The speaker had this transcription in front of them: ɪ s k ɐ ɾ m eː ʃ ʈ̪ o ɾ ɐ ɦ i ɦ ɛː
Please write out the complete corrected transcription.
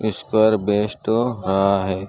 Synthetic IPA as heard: ɪ s k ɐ ɾ b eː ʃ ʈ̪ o ɾ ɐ ɦ a ɦ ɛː